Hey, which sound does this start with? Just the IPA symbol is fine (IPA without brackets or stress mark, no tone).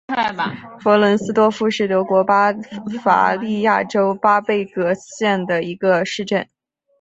f